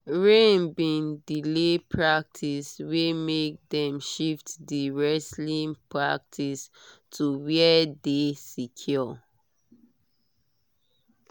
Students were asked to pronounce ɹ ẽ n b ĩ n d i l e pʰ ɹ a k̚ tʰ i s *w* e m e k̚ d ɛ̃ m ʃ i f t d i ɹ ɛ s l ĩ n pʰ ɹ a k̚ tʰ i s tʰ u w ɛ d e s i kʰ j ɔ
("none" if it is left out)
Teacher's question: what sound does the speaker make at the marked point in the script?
w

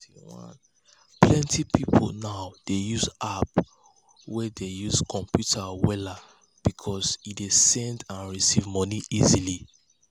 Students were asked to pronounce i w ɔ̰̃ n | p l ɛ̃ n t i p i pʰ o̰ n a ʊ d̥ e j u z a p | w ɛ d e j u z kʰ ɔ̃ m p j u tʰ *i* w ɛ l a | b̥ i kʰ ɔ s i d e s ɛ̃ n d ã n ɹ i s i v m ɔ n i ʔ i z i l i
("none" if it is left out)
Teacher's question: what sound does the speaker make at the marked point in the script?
a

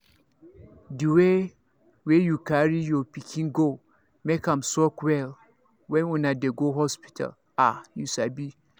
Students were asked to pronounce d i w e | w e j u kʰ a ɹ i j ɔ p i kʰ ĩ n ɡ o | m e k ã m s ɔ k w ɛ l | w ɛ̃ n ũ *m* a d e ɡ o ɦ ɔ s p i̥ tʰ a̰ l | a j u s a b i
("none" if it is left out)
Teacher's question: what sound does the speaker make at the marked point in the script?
n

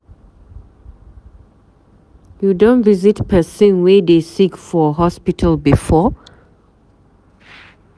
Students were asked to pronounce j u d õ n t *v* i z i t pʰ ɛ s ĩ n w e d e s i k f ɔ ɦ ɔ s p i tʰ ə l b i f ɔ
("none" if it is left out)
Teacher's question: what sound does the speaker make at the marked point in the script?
v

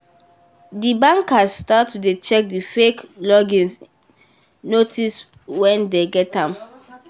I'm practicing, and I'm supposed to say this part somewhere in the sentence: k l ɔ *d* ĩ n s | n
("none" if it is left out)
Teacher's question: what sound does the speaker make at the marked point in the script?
ɡ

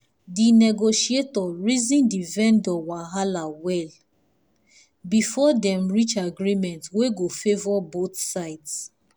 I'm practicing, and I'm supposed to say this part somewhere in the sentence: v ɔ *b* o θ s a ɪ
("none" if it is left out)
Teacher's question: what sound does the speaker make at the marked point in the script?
b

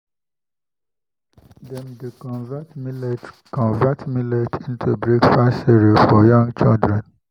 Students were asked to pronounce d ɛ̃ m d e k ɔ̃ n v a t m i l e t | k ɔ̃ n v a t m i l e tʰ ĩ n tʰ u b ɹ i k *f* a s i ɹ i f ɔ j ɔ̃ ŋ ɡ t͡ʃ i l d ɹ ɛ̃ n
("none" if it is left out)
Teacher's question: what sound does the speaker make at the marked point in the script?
f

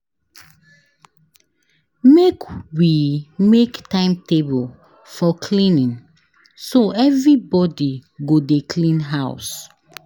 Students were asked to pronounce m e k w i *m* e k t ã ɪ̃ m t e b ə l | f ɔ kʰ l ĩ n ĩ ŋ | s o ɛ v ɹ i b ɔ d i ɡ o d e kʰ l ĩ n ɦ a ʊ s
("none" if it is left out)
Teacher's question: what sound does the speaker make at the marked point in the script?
m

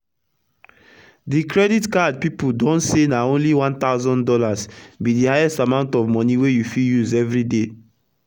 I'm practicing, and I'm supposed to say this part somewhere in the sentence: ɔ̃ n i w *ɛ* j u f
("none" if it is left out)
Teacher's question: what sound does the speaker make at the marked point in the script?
e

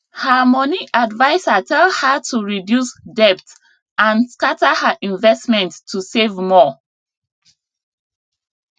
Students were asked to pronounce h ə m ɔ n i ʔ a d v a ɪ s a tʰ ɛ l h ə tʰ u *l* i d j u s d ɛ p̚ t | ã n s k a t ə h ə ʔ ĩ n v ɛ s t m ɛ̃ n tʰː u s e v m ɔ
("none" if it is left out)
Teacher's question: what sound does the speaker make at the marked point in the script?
ɹ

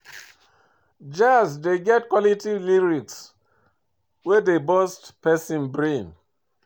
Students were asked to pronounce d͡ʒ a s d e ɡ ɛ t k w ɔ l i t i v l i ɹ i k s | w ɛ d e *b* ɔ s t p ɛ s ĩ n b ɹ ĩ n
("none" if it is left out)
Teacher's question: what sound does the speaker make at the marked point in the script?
b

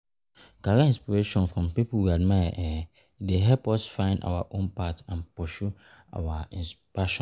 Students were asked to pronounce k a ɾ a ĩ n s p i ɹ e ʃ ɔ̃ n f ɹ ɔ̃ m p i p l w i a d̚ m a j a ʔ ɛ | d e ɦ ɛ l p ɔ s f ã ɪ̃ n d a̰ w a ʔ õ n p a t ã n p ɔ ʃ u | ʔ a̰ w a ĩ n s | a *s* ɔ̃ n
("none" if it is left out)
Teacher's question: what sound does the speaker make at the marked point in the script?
ʃ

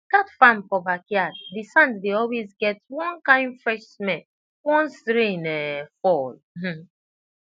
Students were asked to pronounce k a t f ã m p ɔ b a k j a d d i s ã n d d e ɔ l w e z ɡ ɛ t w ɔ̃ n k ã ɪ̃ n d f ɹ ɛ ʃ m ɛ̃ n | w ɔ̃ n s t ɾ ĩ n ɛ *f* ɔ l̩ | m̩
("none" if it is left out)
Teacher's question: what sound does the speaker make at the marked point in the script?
f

